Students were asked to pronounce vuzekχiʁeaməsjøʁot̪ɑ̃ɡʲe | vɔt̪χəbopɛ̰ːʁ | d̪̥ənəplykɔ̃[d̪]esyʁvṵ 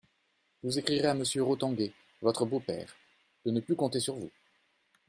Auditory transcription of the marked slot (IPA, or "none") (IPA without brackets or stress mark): t̪